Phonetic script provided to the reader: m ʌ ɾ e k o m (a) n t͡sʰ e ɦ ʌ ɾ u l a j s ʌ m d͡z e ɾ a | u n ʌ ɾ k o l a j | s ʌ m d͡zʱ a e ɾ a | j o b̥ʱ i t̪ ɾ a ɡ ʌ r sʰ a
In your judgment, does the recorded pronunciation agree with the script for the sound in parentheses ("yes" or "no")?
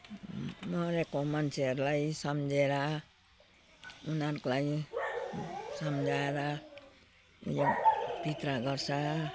no